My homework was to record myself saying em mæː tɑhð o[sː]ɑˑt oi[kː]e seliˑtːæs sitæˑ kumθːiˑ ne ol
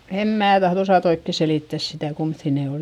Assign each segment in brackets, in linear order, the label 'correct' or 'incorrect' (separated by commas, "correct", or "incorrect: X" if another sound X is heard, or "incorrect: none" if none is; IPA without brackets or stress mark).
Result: incorrect: s, correct